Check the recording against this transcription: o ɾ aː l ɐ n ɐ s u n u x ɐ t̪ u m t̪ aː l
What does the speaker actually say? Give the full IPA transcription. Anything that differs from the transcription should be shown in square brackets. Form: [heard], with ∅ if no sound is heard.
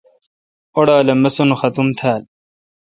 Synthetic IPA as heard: o [ɽ] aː l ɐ [m] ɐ s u n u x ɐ t̪ u m [t̪ʰ] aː l